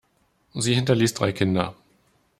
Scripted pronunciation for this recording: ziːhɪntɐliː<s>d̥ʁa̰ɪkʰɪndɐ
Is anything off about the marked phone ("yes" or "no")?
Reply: no